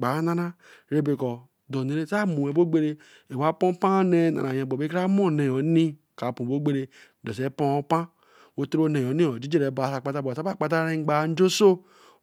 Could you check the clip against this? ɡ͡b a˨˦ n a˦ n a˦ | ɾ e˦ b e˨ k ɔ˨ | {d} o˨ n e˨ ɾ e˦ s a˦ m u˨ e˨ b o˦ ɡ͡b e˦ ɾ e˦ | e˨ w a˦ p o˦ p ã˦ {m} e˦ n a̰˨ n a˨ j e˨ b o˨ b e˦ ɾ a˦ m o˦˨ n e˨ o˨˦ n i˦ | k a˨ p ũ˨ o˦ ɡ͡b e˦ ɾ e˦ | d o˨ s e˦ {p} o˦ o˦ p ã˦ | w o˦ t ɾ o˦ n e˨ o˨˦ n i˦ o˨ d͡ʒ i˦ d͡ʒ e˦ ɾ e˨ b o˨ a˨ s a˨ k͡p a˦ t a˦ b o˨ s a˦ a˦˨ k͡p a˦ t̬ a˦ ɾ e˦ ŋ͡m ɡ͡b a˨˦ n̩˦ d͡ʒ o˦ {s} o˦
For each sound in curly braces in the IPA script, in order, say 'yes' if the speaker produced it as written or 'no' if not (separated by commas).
yes, no, yes, yes